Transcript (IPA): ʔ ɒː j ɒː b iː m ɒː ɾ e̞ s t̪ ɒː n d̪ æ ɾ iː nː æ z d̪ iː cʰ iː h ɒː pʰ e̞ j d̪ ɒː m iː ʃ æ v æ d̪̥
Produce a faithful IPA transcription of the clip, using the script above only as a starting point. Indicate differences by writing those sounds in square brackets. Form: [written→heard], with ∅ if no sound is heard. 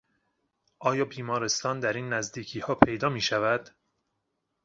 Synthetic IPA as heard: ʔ ɒː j ɒː b iː m ɒː ɾ e̞ s t̪ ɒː n d̪ æ ɾ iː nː æ z d̪ iː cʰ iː h ɒː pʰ e̞ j d̪ ɒː m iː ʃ æ v æ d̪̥